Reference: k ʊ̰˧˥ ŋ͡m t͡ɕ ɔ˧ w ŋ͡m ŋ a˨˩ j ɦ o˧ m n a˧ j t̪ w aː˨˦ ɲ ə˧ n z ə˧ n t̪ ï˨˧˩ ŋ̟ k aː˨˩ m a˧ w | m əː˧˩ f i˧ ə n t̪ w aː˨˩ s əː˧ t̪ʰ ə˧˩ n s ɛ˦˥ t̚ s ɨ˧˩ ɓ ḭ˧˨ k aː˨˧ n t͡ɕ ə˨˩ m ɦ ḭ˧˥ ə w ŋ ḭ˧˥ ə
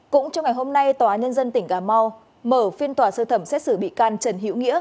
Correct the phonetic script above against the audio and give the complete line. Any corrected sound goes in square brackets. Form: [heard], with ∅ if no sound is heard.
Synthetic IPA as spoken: k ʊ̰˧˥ ŋ͡m t͡ɕ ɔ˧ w ŋ͡m ŋ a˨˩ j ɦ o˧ m n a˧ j t̪ w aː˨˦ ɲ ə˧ n z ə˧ n t̪ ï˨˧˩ ŋ̟ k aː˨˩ m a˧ w | m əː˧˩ f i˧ ə n t̪ w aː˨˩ s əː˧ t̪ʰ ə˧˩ [m] s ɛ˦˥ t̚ s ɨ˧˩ ɓ ḭ˧˨ k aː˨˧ n t͡ɕ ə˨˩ [n] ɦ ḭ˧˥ ə w ŋ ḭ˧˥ ə